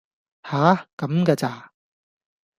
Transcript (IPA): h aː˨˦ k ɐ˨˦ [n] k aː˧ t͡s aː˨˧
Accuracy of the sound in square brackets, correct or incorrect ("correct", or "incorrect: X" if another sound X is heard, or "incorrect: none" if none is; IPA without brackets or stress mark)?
incorrect: m